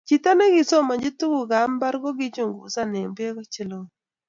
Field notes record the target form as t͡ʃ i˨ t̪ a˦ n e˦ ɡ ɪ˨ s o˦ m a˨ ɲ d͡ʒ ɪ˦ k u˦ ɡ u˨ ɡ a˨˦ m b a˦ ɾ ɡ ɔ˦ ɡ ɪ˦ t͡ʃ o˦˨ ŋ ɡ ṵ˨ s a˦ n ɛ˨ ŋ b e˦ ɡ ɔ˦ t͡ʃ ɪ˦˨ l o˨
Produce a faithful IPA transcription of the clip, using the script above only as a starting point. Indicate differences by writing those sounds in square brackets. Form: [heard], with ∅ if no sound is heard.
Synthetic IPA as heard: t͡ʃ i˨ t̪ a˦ n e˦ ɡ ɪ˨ s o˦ m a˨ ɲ d͡ʒ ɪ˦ [t] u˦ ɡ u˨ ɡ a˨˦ m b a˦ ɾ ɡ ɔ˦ ɡ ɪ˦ t͡ʃ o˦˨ ŋ ɡ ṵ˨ s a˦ n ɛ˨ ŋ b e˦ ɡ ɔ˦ t͡ʃ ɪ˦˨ l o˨